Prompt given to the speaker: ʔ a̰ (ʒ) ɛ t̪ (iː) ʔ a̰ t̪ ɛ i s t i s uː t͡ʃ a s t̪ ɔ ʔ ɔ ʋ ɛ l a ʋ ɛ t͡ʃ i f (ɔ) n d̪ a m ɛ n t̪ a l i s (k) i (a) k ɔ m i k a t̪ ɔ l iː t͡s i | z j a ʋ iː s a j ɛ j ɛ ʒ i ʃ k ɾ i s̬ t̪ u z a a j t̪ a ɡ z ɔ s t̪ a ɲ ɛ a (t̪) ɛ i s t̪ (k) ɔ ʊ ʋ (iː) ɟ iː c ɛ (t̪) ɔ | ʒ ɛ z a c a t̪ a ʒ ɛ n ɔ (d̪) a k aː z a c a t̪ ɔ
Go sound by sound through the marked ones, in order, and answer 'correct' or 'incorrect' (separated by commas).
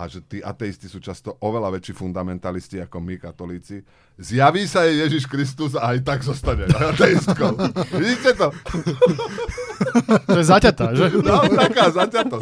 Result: correct, correct, incorrect, incorrect, correct, correct, correct, incorrect, correct, incorrect